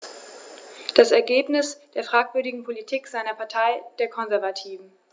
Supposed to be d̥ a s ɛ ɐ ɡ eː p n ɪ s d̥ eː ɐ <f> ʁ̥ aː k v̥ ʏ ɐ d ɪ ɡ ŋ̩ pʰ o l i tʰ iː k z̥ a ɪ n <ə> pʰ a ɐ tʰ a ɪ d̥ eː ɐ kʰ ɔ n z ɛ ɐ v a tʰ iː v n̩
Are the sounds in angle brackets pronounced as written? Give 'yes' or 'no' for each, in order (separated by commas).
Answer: yes, no